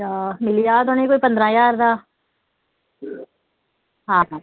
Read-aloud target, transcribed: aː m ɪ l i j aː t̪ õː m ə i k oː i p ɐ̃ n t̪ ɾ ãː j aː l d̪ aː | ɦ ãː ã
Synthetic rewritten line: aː m ɪ l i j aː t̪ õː n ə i k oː i p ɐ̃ n d̪ ɾ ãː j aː ɾ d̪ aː | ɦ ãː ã